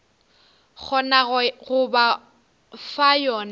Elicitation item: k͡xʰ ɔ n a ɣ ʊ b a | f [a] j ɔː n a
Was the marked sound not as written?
no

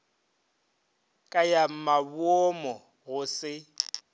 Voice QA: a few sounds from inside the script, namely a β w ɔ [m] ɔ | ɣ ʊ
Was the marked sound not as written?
no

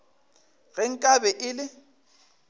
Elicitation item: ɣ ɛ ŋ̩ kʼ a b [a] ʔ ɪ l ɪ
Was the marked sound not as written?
yes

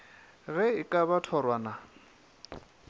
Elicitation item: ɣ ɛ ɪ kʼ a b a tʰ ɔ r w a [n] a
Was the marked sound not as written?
no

